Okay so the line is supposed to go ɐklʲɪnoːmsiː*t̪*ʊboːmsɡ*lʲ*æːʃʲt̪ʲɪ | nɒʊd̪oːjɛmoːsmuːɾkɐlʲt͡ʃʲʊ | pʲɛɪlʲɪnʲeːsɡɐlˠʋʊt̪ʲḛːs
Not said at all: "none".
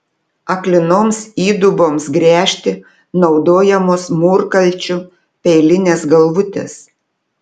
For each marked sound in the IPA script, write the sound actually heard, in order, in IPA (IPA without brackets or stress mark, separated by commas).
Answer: d̪, ɾʲ